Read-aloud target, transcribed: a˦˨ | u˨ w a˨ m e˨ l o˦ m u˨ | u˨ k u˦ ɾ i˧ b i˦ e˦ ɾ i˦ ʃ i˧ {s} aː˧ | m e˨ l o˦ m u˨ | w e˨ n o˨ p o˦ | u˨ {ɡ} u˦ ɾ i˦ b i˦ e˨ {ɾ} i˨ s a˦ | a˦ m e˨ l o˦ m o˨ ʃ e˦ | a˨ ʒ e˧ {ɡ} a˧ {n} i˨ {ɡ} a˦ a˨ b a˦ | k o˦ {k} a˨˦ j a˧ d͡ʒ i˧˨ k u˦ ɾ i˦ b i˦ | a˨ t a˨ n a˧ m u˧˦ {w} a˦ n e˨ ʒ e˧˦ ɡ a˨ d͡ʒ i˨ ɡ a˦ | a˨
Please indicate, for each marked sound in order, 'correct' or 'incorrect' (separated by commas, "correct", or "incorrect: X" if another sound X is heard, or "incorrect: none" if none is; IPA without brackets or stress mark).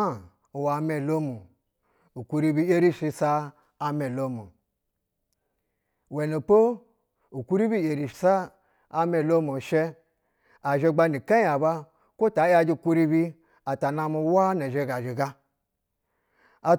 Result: correct, incorrect: k, correct, incorrect: ɡ͡b, correct, incorrect: k, incorrect: t, correct